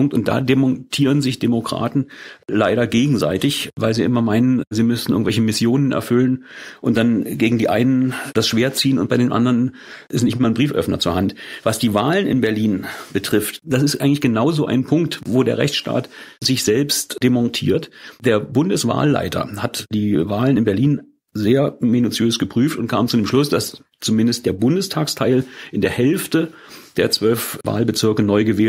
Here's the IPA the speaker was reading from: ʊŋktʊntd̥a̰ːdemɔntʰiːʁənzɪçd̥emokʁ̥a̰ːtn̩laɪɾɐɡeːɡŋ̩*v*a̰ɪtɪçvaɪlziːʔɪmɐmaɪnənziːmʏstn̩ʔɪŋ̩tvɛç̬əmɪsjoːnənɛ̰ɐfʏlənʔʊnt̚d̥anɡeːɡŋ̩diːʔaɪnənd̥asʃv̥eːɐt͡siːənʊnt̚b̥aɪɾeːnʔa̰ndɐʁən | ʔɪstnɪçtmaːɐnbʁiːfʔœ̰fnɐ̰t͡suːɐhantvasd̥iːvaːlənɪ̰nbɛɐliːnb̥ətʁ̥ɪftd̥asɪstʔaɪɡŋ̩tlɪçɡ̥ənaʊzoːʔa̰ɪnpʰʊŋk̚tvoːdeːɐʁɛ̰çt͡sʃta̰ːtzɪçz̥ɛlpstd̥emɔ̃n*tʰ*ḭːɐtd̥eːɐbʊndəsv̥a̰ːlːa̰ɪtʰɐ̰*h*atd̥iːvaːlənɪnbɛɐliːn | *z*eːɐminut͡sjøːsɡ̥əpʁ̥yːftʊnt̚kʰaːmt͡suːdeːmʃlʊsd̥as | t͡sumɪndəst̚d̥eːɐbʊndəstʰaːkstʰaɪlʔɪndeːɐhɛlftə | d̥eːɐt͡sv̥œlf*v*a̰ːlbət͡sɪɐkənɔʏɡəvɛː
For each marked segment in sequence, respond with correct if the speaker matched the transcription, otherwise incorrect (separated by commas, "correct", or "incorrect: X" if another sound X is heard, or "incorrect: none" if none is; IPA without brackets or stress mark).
incorrect: z, correct, correct, correct, correct